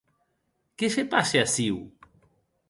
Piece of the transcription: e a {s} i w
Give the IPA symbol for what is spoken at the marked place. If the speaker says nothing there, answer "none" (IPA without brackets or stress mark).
s